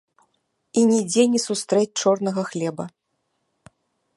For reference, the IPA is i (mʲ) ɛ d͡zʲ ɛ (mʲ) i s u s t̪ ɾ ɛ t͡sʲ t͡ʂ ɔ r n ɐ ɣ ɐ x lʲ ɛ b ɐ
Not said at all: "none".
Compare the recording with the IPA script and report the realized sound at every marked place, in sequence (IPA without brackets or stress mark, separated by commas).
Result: nʲ, nʲ